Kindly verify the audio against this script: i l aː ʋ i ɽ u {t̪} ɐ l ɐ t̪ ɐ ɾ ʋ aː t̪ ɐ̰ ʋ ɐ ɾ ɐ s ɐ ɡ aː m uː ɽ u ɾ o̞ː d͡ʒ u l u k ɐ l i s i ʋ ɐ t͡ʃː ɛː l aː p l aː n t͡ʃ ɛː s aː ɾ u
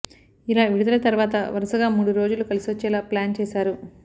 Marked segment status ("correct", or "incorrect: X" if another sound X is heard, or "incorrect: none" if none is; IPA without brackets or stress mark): incorrect: d̪